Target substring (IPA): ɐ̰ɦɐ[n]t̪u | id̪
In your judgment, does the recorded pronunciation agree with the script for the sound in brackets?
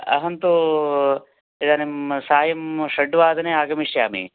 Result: yes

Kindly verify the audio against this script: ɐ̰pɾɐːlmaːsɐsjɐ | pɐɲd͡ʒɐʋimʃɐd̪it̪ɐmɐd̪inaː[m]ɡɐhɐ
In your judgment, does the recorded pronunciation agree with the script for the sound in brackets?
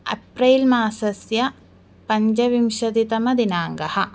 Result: no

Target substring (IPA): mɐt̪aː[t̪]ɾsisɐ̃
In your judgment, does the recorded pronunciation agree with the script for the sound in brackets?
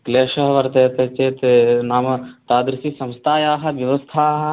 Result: no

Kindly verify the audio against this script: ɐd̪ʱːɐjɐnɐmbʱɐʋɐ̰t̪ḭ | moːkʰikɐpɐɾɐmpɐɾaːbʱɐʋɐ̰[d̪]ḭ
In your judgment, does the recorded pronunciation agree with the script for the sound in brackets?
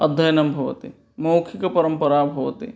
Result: no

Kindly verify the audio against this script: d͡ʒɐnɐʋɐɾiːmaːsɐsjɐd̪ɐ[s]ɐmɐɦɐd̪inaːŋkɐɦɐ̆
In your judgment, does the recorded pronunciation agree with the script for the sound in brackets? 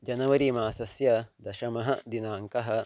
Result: no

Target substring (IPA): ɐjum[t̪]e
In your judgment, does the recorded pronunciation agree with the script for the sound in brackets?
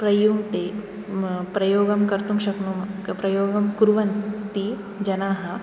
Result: yes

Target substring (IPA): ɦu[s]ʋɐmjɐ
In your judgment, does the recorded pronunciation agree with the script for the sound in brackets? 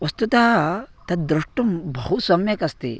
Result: yes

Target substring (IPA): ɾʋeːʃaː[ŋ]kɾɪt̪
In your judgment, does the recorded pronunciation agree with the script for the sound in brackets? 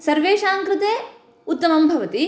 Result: yes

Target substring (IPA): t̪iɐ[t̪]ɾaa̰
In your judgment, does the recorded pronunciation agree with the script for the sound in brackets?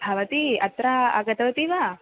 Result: yes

